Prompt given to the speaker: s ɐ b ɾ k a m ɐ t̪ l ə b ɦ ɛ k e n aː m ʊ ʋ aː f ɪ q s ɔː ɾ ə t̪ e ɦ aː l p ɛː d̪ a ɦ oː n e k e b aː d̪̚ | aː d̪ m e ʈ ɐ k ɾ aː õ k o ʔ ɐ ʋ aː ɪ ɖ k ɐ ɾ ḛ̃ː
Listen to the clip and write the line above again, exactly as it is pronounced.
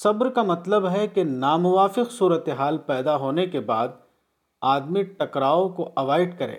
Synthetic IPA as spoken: s ɐ b ɾ k a m ɐ t̪ l ə b ɦ ɛ k e n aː m ʊ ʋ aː f ɪ q s uː ɾ ə t̪ e ɦ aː l p ɛː d̪ a ɦ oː n e k e b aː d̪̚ | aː d̪ m i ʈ ɐ k ɾ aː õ k o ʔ ɐ ʋ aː ɪ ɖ k ɐ ɾ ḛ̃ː